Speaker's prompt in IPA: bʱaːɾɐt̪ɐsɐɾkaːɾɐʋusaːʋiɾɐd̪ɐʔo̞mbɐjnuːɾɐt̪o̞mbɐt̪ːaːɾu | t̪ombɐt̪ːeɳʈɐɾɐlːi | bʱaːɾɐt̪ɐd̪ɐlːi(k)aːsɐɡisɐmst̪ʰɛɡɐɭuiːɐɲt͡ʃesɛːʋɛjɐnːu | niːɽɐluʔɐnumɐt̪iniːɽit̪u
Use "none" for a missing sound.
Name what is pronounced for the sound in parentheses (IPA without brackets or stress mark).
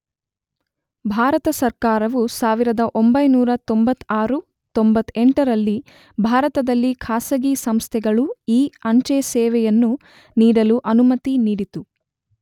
kʰ